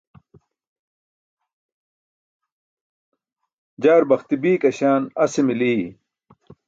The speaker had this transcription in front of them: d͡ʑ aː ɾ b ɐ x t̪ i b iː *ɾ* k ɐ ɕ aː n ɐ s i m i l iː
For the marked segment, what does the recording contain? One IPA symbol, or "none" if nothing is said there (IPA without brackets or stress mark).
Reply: none